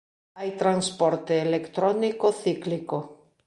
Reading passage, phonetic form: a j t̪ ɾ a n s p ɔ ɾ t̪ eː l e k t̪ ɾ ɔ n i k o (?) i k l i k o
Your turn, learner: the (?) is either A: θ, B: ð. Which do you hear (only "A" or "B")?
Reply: A